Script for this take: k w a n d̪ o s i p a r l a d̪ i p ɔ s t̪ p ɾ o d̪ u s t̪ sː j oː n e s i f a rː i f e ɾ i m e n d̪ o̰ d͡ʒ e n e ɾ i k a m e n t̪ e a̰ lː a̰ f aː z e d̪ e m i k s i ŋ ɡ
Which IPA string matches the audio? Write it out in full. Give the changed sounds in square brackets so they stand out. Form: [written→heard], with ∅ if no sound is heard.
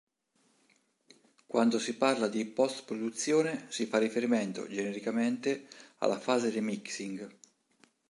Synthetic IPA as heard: k w a n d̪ o s i p a r l a d̪ i p ɔ s t̪ p ɾ o d̪ u [s→∅] t̪ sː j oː n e s i f a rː i f e ɾ i m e n [d̪→t̪] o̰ d͡ʒ e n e ɾ i k a m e n t̪ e a̰ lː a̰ f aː z e d̪ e m i k s i ŋ ɡ

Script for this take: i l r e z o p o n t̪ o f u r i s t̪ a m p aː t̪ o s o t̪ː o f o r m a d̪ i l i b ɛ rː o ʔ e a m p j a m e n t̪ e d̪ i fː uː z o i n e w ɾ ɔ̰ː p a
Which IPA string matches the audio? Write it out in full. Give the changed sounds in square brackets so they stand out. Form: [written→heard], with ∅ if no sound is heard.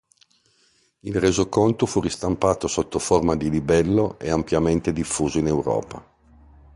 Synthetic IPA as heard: i l r e z o [p→k] o n t̪ o f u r i s t̪ a m p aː t̪ o s o t̪ː o f o r m a d̪ i l i b ɛ [rː→lː] o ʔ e a m p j a m e n t̪ e d̪ i fː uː z o i n e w ɾ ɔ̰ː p a

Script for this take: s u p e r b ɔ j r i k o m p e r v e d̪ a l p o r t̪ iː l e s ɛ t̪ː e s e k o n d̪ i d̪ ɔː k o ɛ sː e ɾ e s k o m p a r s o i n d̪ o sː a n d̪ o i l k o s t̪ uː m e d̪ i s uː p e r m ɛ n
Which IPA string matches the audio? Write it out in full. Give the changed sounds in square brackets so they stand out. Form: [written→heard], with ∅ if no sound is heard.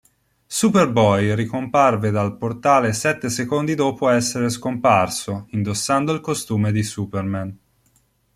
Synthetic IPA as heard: s u p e r b ɔ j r i k o m p [e→a] r v e d̪ a l p o r t̪ [iː→aː] l e s ɛ t̪ː e s e k o n d̪ i d̪ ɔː [k→p] o ɛ sː e ɾ e s k o m p a r s o i n d̪ o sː a n d̪ o i l k o s t̪ uː m e d̪ i s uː p e r m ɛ n

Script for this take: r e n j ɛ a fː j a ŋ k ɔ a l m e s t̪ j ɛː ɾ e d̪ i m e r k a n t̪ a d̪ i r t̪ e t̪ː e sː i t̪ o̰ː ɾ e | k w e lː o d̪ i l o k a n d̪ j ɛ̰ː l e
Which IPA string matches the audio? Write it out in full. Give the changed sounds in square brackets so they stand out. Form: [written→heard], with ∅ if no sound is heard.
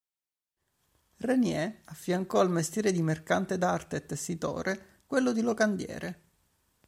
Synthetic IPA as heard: r e n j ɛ a fː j a ŋ k ɔ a l m e s t̪ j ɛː ɾ e d̪ i m e r k a n t̪ [a→e] d̪ [i→a] r t̪ e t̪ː e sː i t̪ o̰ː ɾ e | k w e lː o d̪ i l o k a n d̪ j ɛ̰ː [l→ɾ] e

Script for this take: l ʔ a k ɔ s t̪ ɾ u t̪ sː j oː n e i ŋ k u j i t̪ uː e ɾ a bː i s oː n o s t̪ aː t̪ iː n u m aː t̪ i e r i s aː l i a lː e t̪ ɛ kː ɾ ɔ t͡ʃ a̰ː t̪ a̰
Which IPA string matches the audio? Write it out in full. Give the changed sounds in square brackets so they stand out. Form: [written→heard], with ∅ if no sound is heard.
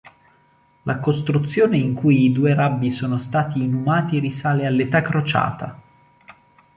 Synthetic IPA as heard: l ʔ a k [ɔ→o] s t̪ ɾ u t̪ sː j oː n e i ŋ k u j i [t̪→d̪] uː e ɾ a bː i s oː n o s t̪ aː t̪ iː n u m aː t̪ i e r i s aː l [i→e] a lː e t̪ [ɛ→a] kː ɾ [ɔ→o] t͡ʃ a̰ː t̪ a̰

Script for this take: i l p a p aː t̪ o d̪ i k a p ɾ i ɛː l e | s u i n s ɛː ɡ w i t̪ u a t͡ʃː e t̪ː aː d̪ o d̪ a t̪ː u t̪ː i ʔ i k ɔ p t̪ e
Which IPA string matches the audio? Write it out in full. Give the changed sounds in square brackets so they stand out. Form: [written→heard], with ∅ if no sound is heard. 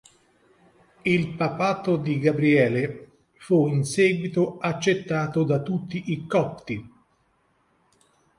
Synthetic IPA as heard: i l p a p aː t̪ o d̪ i [k→ɡ] a [p→b] ɾ i ɛː l e | [s→f] u i n s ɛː ɡ w i t̪ [u→o] a t͡ʃː e t̪ː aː [d̪→t̪] o d̪ a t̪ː u t̪ː i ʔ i k ɔ p t̪ [e→i]

